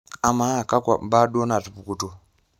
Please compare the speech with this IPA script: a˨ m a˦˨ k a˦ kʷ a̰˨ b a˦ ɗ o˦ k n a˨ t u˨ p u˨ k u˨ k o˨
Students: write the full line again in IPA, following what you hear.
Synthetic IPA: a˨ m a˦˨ k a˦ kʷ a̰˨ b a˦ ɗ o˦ n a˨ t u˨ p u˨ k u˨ t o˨